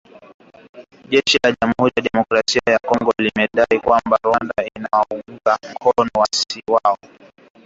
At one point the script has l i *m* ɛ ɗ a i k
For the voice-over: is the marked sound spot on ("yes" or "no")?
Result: yes